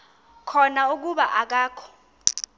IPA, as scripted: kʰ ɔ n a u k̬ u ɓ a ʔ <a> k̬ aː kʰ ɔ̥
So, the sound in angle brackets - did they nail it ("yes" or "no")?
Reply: yes